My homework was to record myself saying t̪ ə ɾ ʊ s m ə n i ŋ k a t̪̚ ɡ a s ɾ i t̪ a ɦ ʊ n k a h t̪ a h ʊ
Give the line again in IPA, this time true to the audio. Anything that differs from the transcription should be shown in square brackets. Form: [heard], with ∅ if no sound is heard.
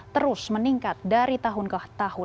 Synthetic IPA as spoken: t̪ ə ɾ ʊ s m ə n i ŋ k a t̪̚ [d] a [∅] ɾ i t̪ a ɦ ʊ n k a h t̪ a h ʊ